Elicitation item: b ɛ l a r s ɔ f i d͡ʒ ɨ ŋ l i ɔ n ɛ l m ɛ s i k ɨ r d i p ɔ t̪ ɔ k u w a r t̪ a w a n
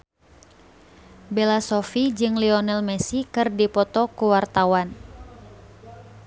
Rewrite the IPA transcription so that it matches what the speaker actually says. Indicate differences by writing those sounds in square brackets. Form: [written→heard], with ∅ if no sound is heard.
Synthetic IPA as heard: b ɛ l a [r→∅] s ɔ f i d͡ʒ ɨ ŋ l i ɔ n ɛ l m ɛ s i k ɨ r d i p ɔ t̪ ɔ k u w a r t̪ a w a n